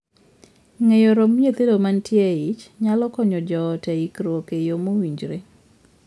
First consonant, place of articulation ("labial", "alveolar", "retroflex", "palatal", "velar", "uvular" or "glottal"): velar